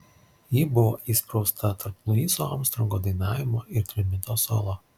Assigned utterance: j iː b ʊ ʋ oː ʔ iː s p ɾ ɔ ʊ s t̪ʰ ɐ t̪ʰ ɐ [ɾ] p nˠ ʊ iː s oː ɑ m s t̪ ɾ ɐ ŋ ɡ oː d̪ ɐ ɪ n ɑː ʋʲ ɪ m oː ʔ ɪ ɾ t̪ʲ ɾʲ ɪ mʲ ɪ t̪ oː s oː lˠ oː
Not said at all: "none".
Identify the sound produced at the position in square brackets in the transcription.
ɾ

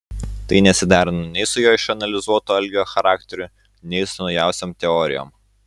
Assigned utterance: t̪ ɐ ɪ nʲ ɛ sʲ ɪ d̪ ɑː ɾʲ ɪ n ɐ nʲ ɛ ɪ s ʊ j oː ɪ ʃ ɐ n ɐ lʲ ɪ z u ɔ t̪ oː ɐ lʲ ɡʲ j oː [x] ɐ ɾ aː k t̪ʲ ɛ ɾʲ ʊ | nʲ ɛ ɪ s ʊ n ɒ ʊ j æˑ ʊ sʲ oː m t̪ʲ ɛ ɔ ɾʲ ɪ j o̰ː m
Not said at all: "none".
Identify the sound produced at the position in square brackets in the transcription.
x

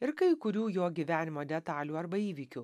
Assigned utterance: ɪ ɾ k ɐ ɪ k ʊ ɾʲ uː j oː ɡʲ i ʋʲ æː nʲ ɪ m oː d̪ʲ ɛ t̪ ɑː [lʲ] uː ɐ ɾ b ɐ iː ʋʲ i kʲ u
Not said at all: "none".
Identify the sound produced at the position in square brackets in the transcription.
lʲ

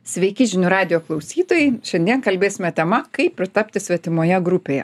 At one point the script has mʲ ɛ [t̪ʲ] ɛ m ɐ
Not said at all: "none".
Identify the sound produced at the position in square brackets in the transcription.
t̪ʲ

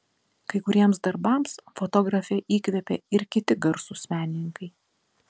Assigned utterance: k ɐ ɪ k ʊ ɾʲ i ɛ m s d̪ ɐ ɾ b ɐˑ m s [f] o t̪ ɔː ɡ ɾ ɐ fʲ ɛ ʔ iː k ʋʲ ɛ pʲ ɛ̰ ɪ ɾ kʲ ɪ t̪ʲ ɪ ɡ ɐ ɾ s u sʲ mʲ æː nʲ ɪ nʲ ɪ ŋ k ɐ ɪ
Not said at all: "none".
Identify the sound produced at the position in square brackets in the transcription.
f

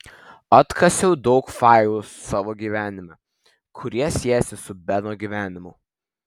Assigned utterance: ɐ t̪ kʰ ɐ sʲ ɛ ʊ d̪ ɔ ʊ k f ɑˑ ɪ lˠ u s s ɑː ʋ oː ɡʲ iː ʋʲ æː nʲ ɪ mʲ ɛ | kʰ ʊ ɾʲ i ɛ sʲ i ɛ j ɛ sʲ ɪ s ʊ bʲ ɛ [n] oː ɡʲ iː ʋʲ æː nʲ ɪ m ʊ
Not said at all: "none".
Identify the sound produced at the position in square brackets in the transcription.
n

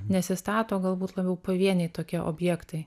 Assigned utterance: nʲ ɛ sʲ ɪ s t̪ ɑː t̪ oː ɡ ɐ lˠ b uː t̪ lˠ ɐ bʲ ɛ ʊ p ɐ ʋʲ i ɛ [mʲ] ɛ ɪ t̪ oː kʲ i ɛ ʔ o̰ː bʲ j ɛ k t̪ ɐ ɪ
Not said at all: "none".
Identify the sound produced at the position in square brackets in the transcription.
nʲ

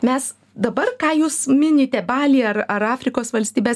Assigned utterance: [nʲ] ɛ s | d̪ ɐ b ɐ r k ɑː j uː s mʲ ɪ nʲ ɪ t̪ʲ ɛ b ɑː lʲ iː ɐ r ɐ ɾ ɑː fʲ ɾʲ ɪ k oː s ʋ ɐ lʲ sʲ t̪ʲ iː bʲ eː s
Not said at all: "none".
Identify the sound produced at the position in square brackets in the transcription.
mʲ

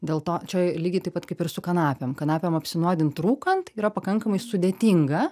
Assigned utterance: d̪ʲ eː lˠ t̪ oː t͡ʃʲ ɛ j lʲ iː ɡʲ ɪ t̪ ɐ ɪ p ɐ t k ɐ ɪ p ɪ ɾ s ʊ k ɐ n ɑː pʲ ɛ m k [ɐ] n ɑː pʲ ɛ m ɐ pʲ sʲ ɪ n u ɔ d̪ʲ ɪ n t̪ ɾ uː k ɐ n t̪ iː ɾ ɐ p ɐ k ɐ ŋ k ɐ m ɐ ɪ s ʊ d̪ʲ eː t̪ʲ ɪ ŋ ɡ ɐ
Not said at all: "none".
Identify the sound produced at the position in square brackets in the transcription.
ɐ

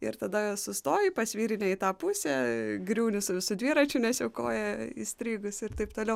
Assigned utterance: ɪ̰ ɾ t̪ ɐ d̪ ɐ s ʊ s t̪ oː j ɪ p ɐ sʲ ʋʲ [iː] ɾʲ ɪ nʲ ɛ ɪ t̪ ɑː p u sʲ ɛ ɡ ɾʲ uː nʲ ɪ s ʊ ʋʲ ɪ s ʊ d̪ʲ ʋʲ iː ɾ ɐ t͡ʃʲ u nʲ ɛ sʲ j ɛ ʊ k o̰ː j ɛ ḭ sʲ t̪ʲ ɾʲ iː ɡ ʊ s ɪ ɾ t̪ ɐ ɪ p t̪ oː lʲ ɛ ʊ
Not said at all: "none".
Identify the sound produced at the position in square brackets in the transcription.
iː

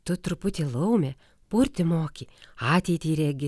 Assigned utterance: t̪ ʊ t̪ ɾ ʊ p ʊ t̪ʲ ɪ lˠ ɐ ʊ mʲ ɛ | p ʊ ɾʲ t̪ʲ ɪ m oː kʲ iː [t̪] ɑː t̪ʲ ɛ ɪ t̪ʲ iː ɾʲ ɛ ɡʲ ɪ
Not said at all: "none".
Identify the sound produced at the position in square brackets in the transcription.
none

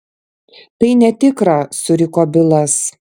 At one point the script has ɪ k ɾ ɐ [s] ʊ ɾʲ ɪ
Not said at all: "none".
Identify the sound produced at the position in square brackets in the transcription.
s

